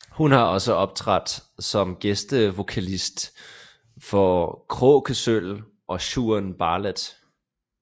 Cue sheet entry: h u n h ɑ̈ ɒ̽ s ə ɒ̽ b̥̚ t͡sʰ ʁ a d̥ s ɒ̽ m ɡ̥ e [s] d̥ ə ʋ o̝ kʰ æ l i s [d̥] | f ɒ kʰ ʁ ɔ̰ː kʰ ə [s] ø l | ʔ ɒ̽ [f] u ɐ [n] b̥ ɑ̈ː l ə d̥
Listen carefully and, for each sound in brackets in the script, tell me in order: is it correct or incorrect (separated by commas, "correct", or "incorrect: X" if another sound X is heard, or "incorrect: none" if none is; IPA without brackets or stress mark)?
correct, correct, correct, incorrect: ɕ, correct